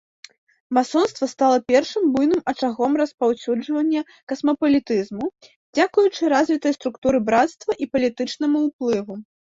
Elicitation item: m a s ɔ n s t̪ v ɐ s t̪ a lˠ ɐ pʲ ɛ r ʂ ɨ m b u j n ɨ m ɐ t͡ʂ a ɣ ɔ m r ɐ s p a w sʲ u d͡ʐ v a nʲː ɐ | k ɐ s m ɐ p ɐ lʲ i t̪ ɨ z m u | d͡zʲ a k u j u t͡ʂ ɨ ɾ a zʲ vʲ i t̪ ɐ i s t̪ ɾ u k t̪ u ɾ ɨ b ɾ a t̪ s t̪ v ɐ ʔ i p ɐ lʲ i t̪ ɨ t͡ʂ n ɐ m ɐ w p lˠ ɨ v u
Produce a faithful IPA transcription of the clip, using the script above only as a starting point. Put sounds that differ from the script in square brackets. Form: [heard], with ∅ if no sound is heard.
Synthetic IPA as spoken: m a s ɔ n s t̪ v ɐ s t̪ a lˠ ɐ pʲ ɛ r ʂ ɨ m b u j n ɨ m ɐ t͡ʂ a ɣ ɔ m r ɐ s p a w sʲ u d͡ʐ v [ɐ] nʲː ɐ | k ɐ s m ɐ p ɐ lʲ i t̪ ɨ z m u | d͡zʲ a k u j u t͡ʂ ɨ ɾ a zʲ vʲ i t̪ ɐ [j] s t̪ ɾ u k t̪ u ɾ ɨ b ɾ a t̪ s t̪ v ɐ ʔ i p ɐ lʲ i t̪ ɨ t͡ʂ n ɐ m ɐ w p lˠ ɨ v u